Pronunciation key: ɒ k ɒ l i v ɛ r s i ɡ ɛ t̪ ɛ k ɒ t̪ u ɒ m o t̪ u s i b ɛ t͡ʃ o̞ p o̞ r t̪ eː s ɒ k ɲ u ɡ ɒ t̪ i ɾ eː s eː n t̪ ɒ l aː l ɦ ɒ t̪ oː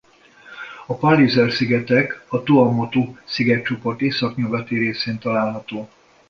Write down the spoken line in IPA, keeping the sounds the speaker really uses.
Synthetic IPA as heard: ɒ p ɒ l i z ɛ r s i ɡ ɛ t̪ ɛ k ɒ t̪ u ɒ m o t̪ u s i ɡ ɛ t͡ʃ o̞ p o̞ r t̪ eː s ɒ k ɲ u ɡ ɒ t̪ i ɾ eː s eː n t̪ ɒ l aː l ɦ ɒ t̪ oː